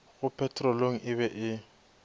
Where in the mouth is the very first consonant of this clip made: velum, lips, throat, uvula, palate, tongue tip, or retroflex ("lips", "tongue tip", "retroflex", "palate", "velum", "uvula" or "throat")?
velum